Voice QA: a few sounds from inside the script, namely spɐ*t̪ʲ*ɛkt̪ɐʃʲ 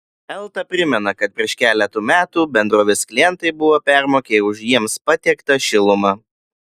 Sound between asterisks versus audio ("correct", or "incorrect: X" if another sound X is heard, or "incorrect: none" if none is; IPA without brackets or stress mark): correct